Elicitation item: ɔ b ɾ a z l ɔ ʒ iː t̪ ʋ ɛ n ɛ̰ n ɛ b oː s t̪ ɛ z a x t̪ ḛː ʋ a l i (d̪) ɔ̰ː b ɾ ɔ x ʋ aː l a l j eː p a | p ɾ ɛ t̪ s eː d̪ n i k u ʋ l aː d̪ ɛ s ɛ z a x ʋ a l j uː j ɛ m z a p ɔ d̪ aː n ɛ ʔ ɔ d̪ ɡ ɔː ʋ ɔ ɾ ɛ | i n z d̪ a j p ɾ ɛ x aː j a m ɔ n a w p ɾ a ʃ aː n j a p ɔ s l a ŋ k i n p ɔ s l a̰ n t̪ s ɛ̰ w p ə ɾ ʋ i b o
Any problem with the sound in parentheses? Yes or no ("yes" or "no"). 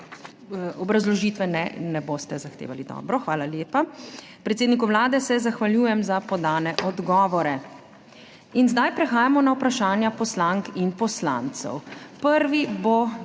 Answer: no